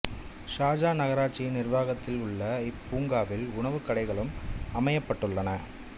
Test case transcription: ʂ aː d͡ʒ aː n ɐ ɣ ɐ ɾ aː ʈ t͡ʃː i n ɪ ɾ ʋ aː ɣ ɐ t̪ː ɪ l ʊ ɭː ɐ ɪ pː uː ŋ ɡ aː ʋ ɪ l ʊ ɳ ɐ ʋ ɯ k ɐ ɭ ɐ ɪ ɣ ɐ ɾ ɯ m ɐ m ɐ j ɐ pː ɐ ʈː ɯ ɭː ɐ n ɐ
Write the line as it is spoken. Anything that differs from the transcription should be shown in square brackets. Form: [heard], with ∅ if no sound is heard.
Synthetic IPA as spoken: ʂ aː d͡ʒ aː n ɐ ɣ ɐ ɾ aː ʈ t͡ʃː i n ɪ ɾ ʋ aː ɣ ɐ t̪ː ɪ l ʊ ɭː ɐ ɪ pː uː ŋ ɡ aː ʋ ɪ l ʊ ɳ ɐ ʋ ɯ k ɐ [ɽ] ɐ ɪ ɣ ɐ [ɭ] ɯ m ɐ m ɐ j ɐ pː ɐ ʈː ɯ ɭː ɐ n ɐ